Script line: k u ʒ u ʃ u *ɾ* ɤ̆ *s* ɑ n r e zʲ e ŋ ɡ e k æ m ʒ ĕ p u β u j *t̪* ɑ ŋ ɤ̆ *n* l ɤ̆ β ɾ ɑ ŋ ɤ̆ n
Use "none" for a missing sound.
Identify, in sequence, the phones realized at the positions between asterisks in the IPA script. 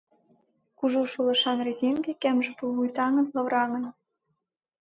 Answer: l, ʃ, t̪, n

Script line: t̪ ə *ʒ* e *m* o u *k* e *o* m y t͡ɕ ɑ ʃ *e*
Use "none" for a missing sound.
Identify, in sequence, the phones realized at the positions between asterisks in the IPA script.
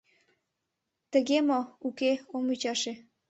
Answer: ɣ, m, k, o, e

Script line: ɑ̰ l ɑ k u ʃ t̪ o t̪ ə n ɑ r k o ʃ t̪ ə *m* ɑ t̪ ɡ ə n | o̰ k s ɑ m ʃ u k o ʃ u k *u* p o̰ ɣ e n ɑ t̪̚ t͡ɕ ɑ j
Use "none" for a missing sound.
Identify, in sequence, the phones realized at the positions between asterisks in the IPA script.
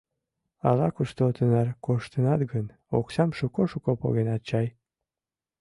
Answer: n, o

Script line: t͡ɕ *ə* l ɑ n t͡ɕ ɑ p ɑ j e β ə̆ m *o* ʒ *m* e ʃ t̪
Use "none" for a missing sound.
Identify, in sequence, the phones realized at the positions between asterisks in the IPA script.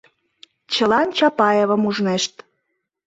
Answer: ə, u, n

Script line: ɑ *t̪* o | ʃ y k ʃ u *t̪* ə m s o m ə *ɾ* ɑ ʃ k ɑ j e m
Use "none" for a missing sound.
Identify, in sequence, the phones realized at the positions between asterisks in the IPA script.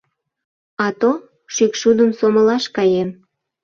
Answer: t̪, d̪, l

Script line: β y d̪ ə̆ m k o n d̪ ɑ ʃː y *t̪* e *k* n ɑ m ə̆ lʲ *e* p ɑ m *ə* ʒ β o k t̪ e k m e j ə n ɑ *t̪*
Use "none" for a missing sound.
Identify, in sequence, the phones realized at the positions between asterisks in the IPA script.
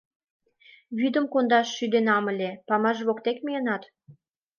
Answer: d̪, none, e, ɑ, t̪

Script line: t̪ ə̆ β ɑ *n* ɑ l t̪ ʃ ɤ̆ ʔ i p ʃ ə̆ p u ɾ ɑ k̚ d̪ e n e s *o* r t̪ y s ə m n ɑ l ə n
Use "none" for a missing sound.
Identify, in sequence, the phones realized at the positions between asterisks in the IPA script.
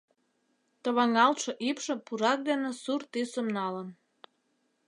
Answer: ŋ, u

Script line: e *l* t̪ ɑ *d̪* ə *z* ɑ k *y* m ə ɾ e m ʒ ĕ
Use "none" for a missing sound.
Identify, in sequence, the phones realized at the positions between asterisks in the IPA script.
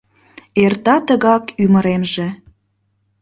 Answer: r, t̪, ɣ, y

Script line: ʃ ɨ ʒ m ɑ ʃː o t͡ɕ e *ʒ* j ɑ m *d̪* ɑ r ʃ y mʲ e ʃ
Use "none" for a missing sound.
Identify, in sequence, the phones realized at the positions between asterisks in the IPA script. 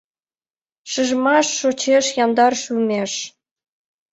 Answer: ʃ, d̪

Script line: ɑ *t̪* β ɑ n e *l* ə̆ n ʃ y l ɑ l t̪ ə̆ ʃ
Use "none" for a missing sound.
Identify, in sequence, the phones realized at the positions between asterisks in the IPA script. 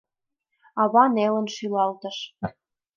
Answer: none, l

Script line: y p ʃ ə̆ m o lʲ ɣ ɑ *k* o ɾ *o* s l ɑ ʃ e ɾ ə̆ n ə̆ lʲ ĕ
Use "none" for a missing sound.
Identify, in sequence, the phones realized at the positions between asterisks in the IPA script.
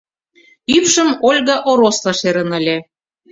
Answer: ʔ, o

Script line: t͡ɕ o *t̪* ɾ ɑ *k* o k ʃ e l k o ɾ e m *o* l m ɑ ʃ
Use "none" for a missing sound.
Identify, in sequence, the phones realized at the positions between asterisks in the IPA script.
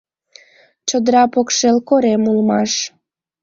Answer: d̪, p, u

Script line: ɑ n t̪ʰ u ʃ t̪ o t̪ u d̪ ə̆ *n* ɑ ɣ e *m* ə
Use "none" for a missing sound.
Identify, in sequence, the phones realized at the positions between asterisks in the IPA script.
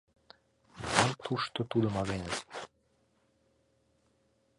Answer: m, n

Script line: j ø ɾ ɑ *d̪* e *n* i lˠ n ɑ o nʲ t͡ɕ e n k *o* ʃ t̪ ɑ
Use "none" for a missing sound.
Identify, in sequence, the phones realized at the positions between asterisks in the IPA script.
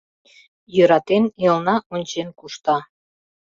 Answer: t̪, n, u

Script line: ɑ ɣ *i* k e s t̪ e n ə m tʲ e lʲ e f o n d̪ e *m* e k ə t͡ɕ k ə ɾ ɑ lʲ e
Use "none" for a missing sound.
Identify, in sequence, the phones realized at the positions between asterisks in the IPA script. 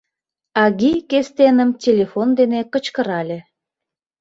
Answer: i, n

